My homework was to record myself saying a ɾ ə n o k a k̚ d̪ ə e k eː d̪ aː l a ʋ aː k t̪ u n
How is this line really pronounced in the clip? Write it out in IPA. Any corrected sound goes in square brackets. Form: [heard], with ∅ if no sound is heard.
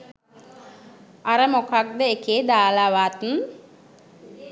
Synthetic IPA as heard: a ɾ ə [m] o k a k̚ d̪ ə e k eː d̪ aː l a ʋ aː [∅] t̪ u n